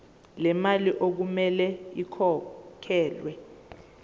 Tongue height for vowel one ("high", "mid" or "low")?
mid